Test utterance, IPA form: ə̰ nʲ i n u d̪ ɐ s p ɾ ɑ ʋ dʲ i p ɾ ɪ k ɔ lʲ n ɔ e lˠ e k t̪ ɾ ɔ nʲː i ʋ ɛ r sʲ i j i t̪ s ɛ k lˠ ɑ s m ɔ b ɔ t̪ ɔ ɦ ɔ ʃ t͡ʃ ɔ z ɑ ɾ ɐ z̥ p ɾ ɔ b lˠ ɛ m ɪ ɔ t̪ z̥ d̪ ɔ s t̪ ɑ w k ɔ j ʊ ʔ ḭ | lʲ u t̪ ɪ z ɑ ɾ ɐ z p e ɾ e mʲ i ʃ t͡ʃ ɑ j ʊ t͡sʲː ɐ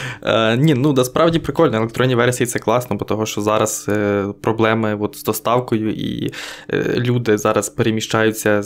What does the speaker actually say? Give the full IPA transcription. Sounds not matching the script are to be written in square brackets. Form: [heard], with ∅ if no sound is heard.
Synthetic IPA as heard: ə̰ nʲ i n u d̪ ɐ s p ɾ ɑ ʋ dʲ i p ɾ ɪ k ɔ lʲ n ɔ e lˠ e k t̪ ɾ ɔ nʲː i ʋ ɛ r sʲ i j i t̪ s ɛ k lˠ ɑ s [n] ɔ b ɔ t̪ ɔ ɦ ɔ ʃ t͡ʃ ɔ z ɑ ɾ ɐ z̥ p ɾ ɔ b lˠ ɛ m ɪ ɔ t̪ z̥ d̪ ɔ s t̪ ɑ w k ɔ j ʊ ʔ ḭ | lʲ u [d̪] ɪ z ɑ ɾ ɐ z p e ɾ e mʲ i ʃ t͡ʃ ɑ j ʊ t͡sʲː ɐ